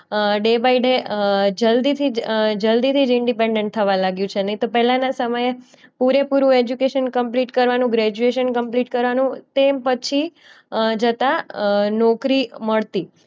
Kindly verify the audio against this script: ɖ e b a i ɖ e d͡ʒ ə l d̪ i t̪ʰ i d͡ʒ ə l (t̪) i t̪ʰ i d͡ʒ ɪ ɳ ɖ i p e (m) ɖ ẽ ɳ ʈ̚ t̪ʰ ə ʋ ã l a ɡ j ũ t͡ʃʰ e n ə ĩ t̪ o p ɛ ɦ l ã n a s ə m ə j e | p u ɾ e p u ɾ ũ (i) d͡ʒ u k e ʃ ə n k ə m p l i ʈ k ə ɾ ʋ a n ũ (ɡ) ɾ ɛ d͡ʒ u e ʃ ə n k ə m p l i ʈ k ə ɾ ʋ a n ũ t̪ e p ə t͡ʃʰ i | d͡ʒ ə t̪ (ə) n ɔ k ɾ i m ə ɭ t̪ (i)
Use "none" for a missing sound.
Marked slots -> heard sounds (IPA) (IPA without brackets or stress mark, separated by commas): d̪, ɳ, e, ɡ, a, i